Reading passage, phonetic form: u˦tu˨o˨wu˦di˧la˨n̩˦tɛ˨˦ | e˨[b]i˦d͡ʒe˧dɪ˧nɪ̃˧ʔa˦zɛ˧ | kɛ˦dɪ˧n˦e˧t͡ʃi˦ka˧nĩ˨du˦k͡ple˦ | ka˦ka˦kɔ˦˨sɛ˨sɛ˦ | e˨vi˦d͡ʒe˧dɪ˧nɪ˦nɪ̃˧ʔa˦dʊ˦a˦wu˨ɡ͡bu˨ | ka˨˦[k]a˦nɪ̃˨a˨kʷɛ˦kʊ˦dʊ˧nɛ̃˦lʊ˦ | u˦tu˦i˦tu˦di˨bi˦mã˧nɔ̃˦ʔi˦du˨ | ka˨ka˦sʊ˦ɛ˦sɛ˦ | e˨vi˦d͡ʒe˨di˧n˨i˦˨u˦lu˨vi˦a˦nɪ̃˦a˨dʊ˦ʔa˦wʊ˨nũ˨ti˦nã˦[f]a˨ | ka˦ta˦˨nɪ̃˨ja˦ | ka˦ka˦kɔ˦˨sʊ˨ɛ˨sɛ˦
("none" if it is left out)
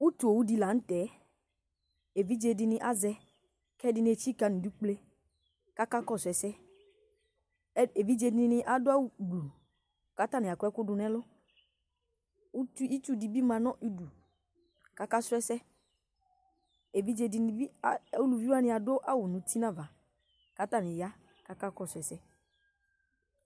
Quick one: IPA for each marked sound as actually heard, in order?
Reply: v, t, v

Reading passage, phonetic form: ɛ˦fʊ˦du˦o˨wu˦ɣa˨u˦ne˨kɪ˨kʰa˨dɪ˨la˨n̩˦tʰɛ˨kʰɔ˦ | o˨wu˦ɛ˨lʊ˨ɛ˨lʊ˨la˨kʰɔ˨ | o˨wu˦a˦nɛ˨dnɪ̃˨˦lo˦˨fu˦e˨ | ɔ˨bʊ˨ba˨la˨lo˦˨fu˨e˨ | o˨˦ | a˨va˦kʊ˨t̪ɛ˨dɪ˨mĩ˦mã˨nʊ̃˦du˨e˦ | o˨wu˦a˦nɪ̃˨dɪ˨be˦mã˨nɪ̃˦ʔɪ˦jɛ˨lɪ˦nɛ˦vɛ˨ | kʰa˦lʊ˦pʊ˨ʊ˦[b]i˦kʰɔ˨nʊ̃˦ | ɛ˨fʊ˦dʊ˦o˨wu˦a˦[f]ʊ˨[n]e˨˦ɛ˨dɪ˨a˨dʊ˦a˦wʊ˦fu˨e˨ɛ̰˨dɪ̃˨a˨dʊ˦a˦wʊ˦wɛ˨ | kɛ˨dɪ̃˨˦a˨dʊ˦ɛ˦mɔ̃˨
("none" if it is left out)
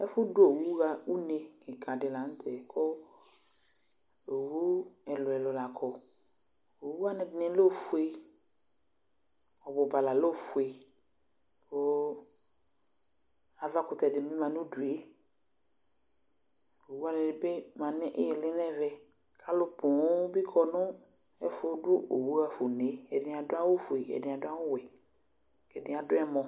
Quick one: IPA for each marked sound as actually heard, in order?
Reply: b, f, n

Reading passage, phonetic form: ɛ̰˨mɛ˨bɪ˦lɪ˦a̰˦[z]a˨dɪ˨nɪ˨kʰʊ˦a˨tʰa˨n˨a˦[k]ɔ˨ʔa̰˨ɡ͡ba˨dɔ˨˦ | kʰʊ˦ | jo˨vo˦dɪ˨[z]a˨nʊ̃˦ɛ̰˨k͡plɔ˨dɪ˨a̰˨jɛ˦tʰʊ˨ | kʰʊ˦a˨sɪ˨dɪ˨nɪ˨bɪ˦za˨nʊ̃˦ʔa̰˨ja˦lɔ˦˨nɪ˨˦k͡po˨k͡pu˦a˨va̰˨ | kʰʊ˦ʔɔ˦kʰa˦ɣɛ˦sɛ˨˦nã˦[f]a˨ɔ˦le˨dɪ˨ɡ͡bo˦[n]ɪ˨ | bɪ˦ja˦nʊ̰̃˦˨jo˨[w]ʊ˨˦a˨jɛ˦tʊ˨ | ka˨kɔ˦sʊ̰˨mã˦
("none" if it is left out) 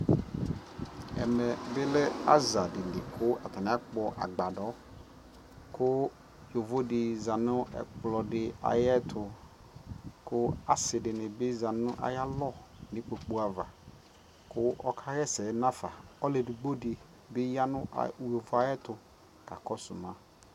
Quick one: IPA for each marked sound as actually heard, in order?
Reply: z, k͡p, z, f, d, v

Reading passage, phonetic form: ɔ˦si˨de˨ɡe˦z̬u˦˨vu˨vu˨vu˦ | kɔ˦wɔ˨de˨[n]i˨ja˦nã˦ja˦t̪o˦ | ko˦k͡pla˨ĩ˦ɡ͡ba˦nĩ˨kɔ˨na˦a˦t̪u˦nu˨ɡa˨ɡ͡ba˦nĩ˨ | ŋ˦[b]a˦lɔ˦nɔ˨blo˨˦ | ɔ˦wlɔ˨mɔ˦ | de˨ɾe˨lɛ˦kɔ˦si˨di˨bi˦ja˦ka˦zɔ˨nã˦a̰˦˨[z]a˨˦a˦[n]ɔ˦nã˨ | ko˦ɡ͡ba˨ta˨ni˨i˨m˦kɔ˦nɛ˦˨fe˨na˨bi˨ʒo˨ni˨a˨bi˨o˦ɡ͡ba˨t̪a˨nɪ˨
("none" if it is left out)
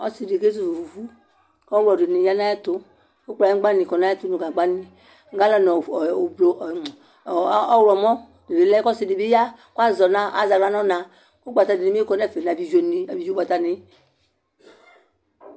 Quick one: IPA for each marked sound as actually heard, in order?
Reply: n, ɡ, z, n

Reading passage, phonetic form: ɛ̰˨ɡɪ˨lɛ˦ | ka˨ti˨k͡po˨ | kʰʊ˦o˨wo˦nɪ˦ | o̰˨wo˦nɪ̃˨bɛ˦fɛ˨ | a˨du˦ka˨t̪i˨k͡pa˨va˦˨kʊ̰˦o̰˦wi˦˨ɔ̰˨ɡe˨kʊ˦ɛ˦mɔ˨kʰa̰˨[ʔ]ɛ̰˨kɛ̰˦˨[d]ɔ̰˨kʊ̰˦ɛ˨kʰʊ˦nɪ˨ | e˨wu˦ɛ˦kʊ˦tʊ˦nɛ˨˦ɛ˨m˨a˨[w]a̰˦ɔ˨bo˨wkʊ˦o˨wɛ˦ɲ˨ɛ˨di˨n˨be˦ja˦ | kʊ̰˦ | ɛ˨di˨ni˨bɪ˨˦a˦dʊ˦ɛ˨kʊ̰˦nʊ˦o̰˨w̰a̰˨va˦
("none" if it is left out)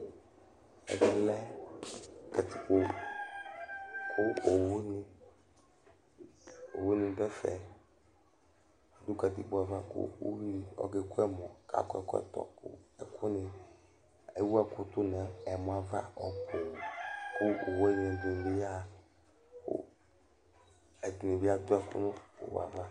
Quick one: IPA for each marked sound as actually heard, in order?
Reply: k, t, v

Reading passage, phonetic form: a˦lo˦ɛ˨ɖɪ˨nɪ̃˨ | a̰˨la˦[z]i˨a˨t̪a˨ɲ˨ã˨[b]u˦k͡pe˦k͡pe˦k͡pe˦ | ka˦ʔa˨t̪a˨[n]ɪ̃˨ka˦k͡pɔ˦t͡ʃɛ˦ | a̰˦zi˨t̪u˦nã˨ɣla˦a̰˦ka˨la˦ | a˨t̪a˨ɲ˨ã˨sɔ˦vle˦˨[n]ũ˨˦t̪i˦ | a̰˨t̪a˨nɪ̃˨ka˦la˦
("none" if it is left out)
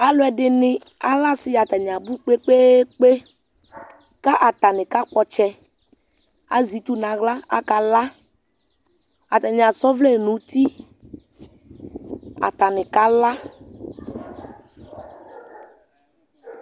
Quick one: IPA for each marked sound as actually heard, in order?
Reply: s, b, n, n

